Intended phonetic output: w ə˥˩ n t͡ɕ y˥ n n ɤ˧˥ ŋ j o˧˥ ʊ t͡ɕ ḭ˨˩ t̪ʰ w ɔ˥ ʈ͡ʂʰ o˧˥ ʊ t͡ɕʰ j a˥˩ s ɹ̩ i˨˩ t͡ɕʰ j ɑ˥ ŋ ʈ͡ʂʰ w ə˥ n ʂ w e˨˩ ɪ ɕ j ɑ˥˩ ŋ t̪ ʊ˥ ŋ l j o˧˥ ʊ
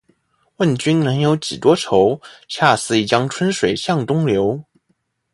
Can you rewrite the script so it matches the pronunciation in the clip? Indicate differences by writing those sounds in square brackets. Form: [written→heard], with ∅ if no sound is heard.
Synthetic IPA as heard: w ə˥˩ n t͡ɕ y˥ n n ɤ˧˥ ŋ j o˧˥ ʊ t͡ɕ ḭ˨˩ [t̪ʰ→t̪] w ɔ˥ ʈ͡ʂʰ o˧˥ ʊ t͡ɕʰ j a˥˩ s ɹ̩ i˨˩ [t͡ɕʰ→t͡ɕ] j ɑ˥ ŋ ʈ͡ʂʰ w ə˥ n ʂ w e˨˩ ɪ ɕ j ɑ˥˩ ŋ t̪ ʊ˥ ŋ l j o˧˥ ʊ